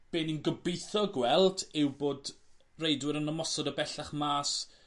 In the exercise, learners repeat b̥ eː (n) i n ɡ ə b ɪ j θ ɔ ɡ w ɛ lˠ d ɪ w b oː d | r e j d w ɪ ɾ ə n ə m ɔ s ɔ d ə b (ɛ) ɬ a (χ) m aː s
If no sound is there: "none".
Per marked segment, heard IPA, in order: n, ɛ, χ

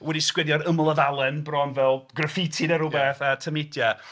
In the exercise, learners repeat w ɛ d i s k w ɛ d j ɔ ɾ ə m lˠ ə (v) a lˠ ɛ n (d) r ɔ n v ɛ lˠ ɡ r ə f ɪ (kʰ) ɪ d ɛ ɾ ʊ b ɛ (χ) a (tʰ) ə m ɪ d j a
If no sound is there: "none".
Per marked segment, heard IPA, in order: v, b, tʰ, θ, tʰ

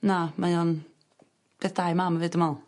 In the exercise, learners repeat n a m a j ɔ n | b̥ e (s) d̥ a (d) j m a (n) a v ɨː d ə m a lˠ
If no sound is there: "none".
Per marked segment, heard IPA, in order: θ, none, m

